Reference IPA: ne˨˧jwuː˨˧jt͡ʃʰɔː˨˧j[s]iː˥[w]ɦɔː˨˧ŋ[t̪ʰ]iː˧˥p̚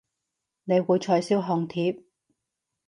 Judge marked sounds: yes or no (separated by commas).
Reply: yes, yes, yes